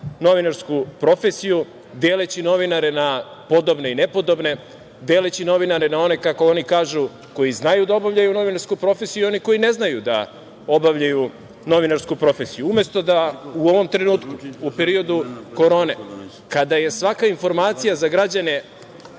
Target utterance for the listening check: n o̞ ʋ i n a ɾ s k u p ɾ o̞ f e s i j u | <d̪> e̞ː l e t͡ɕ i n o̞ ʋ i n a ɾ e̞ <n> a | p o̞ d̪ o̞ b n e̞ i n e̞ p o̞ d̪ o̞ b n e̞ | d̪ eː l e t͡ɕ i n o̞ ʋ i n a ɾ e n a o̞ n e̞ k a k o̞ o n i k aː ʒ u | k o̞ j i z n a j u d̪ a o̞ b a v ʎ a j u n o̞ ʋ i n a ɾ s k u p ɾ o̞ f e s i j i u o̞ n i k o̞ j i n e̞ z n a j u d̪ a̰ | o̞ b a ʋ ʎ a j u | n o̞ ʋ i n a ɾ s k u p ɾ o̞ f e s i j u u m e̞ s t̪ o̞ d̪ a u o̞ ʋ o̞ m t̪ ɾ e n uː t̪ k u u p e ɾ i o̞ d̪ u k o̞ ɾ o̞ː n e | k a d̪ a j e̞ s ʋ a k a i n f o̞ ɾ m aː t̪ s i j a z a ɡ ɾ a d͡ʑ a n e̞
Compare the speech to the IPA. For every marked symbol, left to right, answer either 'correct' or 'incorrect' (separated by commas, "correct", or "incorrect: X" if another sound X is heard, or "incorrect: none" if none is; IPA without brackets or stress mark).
correct, correct